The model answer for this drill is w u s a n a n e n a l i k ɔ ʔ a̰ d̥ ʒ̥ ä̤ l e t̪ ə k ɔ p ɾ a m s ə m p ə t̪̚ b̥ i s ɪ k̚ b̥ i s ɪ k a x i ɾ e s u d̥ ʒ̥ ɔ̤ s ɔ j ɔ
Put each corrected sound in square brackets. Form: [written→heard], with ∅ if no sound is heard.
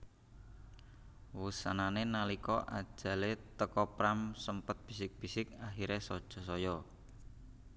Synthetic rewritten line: w u s a n a n e n a l i k ɔ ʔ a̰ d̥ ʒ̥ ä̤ l e t̪ ə k ɔ p ɾ a m s ə m p ə t̪̚ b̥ i s ɪ k̚ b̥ i s ɪ k a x i ɾ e s [u→ɔ] d̥ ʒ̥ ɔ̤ s ɔ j ɔ